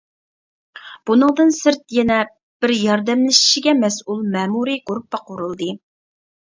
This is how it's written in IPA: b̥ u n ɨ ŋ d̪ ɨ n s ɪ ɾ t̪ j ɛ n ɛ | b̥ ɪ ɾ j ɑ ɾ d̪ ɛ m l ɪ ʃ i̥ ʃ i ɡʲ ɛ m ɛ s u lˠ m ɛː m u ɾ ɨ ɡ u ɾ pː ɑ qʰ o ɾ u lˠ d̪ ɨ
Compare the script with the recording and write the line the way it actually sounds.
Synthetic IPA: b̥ u n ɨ ŋ d̪ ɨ n s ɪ ɾ t̪ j ɛ n ɛ | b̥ ɪ ɾ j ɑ ɾ d̪ ɛ m l ɪ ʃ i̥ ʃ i ɡʲ ɛ m ɛ s u lˠ m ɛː m u ɾ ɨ ɡ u ɾ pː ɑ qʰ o ɾ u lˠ d̪ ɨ